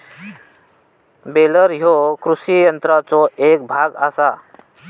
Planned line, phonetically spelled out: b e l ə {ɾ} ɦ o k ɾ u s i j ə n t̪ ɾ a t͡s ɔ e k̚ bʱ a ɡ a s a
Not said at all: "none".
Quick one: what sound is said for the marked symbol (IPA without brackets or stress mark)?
ɾ